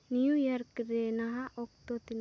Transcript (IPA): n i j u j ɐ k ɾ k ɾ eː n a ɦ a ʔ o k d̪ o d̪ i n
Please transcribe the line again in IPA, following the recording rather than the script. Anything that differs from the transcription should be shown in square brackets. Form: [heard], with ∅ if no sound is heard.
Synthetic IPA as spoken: n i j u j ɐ [∅] ɾ k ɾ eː n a ɦ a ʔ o k [t̪] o [t̪] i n